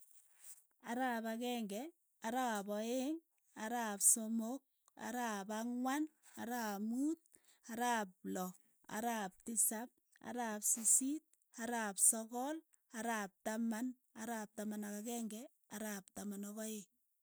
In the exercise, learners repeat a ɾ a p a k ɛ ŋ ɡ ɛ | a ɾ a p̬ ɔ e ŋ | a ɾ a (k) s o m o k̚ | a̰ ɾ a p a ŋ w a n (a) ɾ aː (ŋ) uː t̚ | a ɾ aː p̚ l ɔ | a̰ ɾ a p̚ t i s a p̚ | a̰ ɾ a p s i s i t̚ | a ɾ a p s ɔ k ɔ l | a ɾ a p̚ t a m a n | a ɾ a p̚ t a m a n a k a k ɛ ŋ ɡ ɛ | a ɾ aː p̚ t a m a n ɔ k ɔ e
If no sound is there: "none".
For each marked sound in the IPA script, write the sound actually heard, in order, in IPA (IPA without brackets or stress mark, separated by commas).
p, a, m